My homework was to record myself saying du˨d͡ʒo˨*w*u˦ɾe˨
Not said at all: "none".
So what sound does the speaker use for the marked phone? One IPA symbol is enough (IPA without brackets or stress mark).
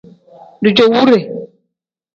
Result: w